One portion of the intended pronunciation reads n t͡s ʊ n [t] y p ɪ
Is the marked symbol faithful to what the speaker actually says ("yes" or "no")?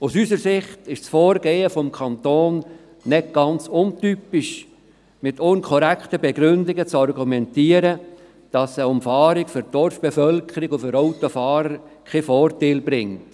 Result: yes